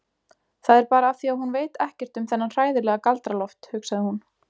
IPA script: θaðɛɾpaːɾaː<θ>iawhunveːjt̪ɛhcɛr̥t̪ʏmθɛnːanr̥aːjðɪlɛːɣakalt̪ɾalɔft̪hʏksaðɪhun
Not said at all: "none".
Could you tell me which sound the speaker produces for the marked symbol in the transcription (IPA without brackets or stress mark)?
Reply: θ